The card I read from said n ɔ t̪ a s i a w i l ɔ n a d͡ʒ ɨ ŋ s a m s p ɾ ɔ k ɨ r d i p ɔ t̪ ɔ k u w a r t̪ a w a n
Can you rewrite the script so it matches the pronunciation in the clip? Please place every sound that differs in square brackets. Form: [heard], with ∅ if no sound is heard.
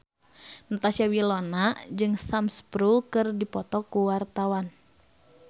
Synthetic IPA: n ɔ t̪ a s i a w i l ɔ n a d͡ʒ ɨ ŋ s a m s p ɾ [u] k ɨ r d i p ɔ t̪ ɔ k u w a r t̪ a w a n

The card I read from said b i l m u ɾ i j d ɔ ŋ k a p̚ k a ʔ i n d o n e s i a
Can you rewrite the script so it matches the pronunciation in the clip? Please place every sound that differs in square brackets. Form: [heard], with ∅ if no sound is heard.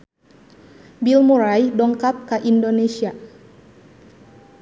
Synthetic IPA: b i l m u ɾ [a] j d ɔ ŋ k a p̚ k a ʔ i n d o n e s i a

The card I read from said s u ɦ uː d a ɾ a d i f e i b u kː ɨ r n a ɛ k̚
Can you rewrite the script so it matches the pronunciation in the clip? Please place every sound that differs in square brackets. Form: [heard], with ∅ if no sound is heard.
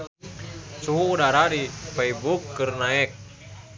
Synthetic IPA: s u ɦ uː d a ɾ a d i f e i b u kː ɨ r n a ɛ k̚

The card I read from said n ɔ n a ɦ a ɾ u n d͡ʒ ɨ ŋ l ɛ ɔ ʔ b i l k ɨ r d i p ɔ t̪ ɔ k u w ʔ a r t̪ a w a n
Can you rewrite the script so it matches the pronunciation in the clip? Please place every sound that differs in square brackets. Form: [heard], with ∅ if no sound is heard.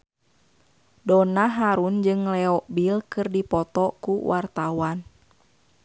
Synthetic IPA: [d] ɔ n a ɦ a ɾ u n d͡ʒ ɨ ŋ l ɛ ɔ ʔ b i l k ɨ r d i p ɔ t̪ ɔ k u w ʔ a r t̪ a w a n

